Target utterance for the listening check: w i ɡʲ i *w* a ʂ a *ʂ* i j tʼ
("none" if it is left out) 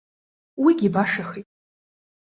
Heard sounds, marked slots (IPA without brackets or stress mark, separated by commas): b, χ